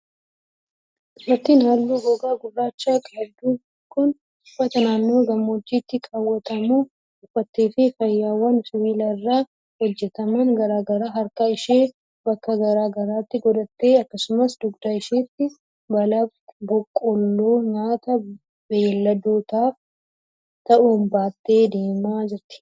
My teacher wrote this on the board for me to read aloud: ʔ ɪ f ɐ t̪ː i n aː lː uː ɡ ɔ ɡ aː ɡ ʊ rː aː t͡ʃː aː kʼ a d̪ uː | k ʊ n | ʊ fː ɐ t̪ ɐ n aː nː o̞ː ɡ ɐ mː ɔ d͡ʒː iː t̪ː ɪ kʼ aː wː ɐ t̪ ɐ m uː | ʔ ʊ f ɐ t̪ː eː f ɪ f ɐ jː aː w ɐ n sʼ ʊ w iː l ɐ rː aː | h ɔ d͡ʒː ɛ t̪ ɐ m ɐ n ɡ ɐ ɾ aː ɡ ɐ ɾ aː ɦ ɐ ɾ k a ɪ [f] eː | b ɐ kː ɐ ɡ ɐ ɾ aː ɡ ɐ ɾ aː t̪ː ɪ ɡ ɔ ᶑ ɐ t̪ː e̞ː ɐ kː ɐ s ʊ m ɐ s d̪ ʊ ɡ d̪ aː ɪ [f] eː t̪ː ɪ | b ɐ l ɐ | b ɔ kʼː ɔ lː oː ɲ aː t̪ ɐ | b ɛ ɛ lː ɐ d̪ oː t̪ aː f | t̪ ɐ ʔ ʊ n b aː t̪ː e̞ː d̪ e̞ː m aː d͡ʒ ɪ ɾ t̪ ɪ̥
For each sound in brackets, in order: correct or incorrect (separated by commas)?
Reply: incorrect, incorrect